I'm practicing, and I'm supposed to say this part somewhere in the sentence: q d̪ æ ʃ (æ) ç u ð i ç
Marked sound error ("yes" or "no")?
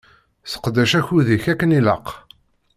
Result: no